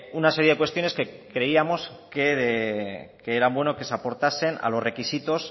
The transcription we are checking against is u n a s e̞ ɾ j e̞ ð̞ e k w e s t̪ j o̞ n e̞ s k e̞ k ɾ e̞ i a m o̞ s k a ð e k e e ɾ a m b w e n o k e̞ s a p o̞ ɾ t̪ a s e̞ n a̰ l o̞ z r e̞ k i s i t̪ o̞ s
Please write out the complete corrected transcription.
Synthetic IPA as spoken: u n a s e̞ ɾ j e̞ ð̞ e k w e s t̪ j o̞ n e̞ s k e̞ k ɾ e̞ i a m o̞ s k e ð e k e e ɾ a m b w e n o k e̞ s a p o̞ ɾ t̪ a s e̞ n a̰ l o̞ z r e̞ k i s i t̪ o̞ s